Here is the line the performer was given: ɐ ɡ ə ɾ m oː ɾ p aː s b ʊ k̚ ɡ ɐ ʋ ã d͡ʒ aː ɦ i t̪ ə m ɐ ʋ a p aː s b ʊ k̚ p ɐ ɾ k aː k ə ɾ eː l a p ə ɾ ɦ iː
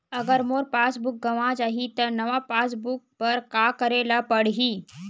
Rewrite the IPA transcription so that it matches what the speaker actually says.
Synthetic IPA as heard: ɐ ɡ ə ɾ m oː ɾ p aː s b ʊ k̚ ɡ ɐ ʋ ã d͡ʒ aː ɦ i t̪ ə n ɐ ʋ a p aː s b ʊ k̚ p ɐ ɾ k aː k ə ɾ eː l a p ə ɽ ɦ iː